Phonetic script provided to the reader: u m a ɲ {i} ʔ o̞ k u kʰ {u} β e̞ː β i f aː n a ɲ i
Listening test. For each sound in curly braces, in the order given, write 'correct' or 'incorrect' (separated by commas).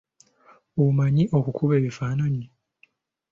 correct, correct